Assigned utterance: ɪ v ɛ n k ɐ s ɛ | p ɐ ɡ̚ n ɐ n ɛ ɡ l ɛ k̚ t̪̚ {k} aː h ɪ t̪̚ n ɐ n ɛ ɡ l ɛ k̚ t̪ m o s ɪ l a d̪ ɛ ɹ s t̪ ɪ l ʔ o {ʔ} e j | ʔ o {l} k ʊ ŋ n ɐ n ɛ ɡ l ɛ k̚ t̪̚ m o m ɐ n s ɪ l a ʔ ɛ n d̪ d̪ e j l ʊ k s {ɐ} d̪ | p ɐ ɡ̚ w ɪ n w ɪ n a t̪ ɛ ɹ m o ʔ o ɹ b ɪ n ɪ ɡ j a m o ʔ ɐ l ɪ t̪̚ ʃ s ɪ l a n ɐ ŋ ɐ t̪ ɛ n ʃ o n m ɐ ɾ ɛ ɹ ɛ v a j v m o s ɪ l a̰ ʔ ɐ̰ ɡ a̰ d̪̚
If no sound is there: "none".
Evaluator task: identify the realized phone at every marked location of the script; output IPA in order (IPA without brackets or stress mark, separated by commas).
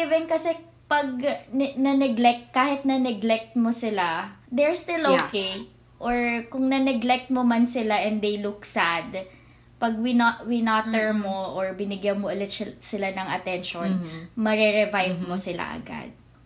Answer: k, k, ɹ, a